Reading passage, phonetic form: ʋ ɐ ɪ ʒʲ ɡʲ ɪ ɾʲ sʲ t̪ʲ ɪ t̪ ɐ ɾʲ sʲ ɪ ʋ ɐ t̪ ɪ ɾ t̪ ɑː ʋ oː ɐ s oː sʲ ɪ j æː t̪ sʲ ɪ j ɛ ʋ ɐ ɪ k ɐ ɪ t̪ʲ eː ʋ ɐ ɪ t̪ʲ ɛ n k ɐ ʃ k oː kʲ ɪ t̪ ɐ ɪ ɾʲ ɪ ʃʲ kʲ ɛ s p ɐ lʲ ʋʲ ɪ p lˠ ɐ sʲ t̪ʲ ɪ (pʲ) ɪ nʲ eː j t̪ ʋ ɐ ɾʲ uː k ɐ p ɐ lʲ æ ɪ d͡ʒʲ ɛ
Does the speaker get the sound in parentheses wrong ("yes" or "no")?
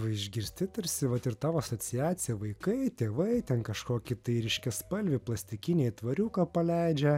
yes